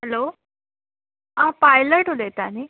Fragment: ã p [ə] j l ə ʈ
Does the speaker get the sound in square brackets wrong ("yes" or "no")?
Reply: yes